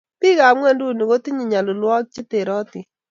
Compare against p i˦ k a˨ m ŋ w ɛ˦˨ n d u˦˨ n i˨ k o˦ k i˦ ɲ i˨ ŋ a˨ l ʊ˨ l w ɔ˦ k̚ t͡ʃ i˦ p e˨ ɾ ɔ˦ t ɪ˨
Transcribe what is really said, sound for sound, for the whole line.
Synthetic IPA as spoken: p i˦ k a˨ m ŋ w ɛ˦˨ n d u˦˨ n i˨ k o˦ t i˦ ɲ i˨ ɲ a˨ l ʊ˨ l w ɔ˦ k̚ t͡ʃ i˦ t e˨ ɾ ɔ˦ t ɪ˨

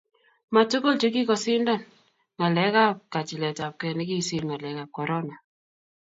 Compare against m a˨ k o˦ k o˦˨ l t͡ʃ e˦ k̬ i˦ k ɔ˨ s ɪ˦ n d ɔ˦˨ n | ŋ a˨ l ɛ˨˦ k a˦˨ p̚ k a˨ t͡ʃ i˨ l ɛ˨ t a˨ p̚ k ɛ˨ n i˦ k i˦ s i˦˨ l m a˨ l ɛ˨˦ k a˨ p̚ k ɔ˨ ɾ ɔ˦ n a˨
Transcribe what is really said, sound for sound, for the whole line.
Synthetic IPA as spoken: m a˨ t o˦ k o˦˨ l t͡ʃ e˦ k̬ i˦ k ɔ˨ s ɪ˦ n d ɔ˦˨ n | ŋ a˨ l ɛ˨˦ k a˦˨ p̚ k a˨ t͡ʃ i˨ l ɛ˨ t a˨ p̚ k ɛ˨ n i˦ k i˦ s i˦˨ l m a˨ l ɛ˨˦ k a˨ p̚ k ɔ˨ ɾ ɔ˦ n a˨

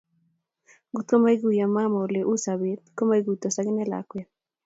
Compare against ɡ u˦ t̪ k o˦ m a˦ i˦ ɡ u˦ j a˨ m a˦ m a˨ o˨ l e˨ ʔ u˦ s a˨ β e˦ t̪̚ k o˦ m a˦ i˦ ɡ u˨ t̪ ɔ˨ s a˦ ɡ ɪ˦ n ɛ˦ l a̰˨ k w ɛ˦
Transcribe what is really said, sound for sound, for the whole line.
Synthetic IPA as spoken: ɡ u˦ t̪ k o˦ m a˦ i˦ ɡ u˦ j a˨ m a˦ m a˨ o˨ l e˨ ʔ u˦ s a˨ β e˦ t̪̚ k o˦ m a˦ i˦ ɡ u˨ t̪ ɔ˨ s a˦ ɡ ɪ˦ n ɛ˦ l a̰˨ k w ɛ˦

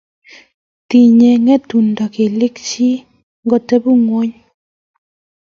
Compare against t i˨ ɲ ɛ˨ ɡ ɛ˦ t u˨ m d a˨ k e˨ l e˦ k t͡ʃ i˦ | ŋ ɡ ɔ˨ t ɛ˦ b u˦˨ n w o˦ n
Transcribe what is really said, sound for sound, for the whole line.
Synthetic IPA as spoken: t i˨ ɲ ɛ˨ ŋ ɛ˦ t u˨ n d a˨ k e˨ l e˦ k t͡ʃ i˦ | ŋ ɡ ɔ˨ t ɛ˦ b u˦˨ ŋ w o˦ ɲ

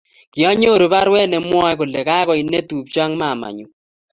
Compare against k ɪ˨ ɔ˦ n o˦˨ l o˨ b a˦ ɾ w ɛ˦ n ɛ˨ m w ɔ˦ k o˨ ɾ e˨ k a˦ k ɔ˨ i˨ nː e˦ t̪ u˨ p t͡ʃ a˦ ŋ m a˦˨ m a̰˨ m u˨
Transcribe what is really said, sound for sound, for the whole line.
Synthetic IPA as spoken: k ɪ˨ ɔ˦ ɲ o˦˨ ɾ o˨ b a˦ ɾ w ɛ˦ n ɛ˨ m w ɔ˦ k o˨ l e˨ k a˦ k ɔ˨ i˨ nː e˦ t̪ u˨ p t͡ʃ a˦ ŋ m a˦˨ m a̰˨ ɲ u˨

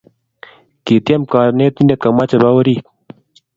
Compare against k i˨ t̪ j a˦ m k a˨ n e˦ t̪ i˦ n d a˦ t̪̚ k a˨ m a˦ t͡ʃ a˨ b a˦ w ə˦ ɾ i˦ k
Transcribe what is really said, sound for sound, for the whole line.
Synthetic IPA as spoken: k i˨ t̪ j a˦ m k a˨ n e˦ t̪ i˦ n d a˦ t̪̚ k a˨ m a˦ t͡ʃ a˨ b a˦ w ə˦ ɾ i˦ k

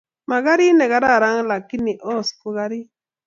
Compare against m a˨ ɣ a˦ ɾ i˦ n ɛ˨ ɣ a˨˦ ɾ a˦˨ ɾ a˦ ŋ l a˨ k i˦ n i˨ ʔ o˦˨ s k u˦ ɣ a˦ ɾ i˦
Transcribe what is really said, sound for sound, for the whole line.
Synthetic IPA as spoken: m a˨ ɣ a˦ ɾ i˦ n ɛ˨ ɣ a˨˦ ɾ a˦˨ ɾ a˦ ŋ l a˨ k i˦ n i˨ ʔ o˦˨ s k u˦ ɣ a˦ ɾ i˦

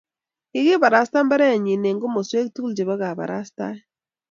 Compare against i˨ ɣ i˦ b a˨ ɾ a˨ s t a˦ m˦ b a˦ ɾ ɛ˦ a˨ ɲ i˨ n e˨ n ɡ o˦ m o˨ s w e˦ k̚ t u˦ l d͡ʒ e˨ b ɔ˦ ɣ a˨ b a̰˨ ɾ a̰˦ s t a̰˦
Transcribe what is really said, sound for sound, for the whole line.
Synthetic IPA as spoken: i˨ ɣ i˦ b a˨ ɾ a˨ s t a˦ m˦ b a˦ ɾ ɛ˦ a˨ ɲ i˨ n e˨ ŋ ɡ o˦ m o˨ s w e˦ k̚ t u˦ l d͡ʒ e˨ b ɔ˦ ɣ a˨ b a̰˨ ɾ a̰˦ s t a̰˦

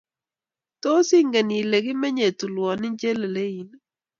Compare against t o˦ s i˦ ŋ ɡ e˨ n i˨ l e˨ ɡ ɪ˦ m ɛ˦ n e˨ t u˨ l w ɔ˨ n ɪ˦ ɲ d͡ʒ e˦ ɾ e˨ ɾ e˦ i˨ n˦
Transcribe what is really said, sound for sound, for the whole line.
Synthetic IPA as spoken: t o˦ s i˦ ŋ ɡ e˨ n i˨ l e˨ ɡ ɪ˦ m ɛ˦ ɲ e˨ t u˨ l w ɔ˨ n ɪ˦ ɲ d͡ʒ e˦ l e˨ l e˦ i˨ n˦

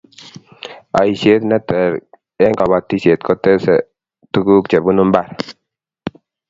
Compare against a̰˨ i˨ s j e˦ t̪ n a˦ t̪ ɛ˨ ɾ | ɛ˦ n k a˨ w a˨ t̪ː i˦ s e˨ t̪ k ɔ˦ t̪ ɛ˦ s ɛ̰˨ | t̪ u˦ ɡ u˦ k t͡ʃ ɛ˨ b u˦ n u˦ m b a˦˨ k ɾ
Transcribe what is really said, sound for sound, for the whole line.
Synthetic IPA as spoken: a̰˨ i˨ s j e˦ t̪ n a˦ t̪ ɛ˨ ɾ | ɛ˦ ŋ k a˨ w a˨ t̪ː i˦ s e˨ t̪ k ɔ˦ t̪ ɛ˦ s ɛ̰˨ | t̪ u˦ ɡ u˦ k t͡ʃ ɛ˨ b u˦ n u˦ m b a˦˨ ɾ

